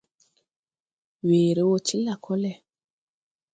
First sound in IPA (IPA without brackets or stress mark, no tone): w